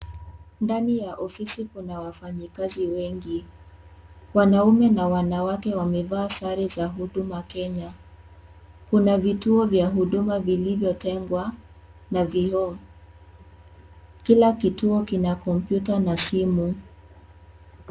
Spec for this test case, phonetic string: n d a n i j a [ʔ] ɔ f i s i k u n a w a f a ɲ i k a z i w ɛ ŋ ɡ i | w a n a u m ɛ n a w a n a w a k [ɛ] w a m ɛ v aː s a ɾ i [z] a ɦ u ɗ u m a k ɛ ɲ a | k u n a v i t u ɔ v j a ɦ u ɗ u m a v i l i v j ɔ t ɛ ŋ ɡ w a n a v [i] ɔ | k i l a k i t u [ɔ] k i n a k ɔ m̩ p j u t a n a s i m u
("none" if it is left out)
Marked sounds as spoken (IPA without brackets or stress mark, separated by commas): ʔ, ɛ, z, i, ɔ